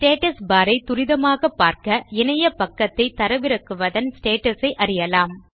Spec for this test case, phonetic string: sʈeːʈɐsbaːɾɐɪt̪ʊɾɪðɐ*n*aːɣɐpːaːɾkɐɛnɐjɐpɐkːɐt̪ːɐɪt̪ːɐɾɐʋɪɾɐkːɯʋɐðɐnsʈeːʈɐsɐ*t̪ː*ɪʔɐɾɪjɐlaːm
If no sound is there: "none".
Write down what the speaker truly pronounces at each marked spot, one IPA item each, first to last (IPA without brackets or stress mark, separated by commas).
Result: m, none